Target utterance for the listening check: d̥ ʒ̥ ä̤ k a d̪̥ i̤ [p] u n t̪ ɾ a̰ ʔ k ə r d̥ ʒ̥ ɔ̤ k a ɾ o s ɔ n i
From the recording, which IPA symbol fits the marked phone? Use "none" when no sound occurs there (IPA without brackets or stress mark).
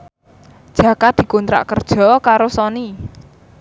k